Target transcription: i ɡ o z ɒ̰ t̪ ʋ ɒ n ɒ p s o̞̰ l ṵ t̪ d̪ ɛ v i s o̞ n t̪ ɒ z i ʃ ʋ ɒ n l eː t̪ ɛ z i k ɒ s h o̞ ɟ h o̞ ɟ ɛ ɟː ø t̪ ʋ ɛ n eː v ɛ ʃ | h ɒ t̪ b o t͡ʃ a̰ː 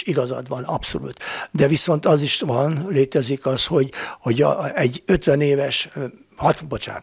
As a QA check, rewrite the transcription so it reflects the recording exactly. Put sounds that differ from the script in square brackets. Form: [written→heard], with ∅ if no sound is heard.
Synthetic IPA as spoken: i ɡ [o→ɒ] z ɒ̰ [t̪→d̪] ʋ ɒ n ɒ p s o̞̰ l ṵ t̪ d̪ ɛ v i s o̞ n t̪ ɒ z i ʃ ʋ ɒ n l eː t̪ ɛ z i k ɒ s h o̞ ɟ h o̞ ɟ ɛ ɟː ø t̪ ʋ ɛ n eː v ɛ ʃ | h ɒ t̪ b o t͡ʃ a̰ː